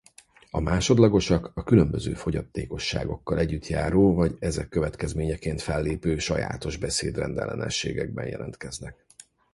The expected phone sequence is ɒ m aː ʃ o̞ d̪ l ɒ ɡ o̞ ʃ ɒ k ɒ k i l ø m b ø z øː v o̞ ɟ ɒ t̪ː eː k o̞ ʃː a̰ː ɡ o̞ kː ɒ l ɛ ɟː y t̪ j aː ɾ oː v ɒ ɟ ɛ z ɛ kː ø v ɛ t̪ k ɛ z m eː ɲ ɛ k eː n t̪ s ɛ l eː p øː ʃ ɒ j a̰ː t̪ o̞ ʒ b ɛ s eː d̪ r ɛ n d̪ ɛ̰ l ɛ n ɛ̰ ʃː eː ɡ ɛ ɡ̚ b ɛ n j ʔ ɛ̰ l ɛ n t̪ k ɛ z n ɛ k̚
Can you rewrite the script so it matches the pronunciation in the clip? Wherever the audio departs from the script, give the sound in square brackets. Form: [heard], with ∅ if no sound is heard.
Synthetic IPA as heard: ɒ m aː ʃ o̞ d̪ l ɒ ɡ o̞ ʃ ɒ k ɒ k [y] l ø m b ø z øː [f] o̞ ɟ ɒ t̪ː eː k o̞ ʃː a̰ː ɡ o̞ kː ɒ l ɛ ɟː y t̪ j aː ɾ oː v ɒ ɟ ɛ z ɛ kː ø v ɛ t̪ k ɛ z m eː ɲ ɛ k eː n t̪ [f] ɛ [lː] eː p øː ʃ ɒ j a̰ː t̪ o̞ ʒ b ɛ s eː d̪ r ɛ n d̪ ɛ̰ l ɛ n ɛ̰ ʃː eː ɡ ɛ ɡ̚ b ɛ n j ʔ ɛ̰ l ɛ n t̪ k ɛ z n ɛ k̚